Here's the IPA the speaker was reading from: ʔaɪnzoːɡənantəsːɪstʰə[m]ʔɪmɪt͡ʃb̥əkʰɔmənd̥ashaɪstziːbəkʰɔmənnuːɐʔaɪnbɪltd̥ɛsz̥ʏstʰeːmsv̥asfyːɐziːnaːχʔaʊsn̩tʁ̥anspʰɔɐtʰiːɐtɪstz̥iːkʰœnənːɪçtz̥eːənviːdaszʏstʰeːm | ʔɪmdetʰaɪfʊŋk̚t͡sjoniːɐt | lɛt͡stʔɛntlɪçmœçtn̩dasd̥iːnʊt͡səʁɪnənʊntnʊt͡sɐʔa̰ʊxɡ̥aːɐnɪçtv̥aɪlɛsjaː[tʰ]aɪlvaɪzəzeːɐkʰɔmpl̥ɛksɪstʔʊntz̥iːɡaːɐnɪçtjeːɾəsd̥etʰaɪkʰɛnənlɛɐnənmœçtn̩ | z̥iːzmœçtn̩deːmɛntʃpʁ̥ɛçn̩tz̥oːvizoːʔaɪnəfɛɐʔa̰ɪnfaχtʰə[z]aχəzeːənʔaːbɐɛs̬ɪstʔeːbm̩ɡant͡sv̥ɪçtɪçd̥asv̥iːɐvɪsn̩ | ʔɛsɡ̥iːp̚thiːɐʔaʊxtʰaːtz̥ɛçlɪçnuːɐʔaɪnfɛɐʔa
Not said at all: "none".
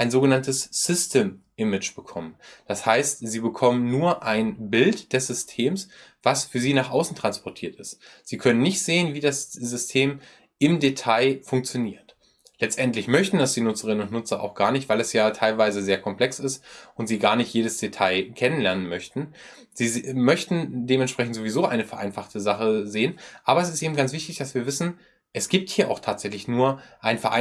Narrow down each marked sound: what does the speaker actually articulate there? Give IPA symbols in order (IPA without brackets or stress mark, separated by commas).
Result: m, tʰ, z